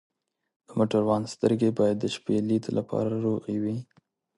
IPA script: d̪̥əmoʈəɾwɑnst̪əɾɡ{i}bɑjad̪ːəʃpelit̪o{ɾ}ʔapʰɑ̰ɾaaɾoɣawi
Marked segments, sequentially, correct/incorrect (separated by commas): incorrect, incorrect